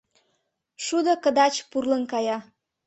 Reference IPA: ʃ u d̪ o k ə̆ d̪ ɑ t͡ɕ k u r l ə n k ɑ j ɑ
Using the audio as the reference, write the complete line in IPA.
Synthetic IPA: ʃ u d̪ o k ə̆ d̪ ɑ t͡ɕ p u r l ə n k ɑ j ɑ